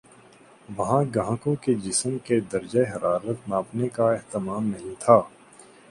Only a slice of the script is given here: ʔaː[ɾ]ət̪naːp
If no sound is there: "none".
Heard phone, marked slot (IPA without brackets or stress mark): ɾ